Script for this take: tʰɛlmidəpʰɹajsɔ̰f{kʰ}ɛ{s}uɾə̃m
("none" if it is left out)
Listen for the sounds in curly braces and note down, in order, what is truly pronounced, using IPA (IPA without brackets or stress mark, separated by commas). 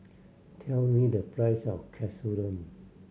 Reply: kʰ, s